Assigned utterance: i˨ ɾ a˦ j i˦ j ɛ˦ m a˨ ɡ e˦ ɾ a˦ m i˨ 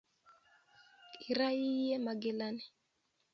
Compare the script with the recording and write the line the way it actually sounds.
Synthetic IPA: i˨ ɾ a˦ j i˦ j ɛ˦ m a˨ ɡ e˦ l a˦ n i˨